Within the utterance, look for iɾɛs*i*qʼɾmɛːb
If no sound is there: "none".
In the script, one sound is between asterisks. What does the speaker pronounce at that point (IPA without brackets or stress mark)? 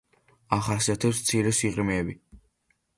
i